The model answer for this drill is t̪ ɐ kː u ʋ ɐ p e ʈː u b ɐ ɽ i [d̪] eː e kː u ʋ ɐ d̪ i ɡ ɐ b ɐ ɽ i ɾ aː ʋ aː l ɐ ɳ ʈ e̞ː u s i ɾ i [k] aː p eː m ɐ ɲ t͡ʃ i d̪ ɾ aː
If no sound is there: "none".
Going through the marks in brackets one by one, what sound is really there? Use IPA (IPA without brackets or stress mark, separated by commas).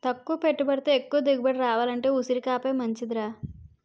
t̪, k